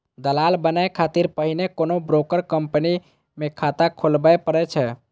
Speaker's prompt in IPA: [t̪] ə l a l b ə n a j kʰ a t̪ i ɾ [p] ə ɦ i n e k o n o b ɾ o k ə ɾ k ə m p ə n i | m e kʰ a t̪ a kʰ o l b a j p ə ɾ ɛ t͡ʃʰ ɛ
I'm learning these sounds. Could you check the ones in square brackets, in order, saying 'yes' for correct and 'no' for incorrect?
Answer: no, yes

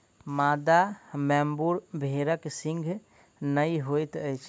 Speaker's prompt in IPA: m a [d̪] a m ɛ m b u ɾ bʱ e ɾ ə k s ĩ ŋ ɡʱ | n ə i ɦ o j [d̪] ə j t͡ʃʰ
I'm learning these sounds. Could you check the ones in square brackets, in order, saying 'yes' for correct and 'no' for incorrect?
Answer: yes, no

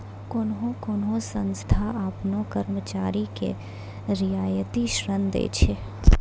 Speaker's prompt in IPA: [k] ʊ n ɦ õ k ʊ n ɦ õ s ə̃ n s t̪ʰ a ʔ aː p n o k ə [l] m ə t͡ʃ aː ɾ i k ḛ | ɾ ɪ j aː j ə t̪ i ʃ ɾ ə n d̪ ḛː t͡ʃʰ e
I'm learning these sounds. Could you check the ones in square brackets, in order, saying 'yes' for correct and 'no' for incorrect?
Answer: yes, no

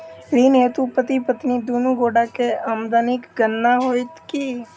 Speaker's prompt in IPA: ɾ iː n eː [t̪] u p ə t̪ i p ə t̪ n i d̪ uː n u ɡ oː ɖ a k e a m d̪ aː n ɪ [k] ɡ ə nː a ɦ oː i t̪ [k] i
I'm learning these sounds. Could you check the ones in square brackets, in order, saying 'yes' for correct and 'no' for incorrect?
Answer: yes, yes, yes

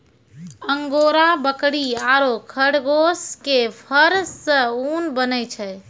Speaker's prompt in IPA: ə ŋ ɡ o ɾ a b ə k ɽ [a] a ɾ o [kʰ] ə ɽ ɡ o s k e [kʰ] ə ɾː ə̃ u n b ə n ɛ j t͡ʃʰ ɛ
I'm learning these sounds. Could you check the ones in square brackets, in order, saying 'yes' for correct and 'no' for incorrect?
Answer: no, yes, no

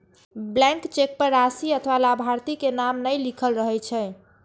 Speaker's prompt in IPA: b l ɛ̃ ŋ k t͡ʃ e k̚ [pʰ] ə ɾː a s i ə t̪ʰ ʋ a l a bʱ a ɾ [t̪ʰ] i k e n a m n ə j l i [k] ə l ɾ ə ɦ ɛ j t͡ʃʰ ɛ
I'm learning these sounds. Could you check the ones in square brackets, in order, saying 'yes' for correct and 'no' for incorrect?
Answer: no, no, no

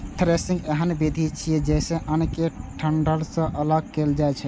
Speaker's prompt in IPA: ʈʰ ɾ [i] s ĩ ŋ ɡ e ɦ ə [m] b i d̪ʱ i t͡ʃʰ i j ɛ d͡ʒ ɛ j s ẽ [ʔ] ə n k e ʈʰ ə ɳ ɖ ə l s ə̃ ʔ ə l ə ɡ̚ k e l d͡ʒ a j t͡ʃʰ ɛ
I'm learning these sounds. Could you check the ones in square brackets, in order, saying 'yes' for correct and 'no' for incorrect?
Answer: no, no, yes

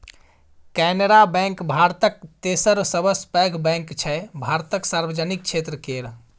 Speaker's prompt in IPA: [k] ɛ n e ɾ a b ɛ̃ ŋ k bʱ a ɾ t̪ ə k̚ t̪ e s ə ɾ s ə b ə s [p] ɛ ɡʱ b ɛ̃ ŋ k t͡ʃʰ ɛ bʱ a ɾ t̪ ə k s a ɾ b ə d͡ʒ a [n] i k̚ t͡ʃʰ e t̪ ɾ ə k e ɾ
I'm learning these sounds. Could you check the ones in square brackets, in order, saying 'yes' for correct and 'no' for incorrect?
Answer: yes, yes, yes

